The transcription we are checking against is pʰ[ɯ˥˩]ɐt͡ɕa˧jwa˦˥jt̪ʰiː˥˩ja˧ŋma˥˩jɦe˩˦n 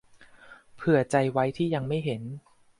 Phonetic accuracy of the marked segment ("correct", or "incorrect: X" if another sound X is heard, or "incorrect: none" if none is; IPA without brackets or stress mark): incorrect: ɯ˨˩